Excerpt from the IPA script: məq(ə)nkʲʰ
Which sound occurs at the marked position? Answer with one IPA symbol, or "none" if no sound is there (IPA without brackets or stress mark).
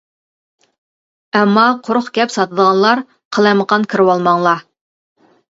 ɑ